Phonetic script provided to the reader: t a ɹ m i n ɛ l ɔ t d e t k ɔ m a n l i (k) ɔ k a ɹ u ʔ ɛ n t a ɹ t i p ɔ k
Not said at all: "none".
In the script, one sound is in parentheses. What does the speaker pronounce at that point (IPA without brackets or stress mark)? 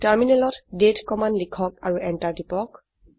kʰ